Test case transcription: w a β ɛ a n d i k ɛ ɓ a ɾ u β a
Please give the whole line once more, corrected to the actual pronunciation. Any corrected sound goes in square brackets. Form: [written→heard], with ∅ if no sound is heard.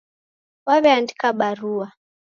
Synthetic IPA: w a β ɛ a n d i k [ɛ→a] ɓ a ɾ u [β→∅] a